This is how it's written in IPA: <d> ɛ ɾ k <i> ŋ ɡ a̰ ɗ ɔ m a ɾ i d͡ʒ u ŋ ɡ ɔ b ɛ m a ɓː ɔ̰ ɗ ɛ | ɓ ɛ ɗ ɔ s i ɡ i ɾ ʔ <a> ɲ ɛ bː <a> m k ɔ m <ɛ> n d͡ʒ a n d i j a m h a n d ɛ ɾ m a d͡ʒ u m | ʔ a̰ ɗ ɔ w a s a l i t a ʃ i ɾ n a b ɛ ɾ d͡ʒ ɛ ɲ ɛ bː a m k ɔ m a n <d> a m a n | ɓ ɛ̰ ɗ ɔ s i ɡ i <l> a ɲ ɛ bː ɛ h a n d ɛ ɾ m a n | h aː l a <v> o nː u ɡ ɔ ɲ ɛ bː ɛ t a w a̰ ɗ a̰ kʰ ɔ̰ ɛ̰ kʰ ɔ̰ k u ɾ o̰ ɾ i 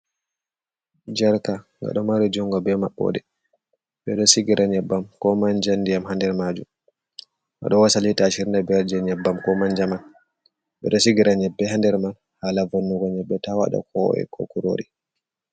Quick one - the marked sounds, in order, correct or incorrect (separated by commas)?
incorrect, incorrect, correct, correct, incorrect, incorrect, incorrect, correct